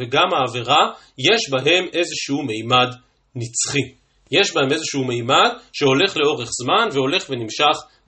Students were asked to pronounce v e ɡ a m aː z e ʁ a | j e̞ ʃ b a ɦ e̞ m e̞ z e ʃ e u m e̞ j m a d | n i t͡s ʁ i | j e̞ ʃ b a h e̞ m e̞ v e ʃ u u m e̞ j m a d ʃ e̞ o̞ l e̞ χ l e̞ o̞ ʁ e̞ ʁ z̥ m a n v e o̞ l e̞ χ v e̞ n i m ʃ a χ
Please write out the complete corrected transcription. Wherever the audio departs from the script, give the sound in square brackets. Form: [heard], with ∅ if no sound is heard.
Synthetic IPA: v e ɡ a m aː [v] e ʁ a | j e̞ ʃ b a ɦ e̞ m e̞ z e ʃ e u m e̞ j m a d | n i t͡s [χ] i | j e̞ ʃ b a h e̞ m e̞ [z] e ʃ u u m e̞ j m a d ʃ e̞ o̞ l e̞ χ l e̞ o̞ ʁ e̞ [χ] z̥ m a n v e o̞ l e̞ χ v e̞ n i m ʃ a χ